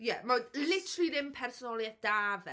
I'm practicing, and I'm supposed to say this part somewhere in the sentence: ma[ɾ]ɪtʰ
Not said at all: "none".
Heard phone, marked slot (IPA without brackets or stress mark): l